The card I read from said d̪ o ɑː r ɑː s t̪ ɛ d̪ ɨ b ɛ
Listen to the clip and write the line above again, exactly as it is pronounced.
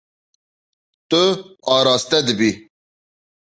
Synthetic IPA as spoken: t̪ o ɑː ɾ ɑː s t̪ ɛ d̪ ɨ b i